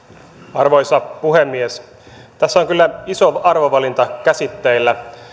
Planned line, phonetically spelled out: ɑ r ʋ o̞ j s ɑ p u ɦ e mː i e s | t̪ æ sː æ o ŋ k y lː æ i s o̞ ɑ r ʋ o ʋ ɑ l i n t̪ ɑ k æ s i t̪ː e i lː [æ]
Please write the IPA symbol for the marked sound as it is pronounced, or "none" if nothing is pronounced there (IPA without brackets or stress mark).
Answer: æ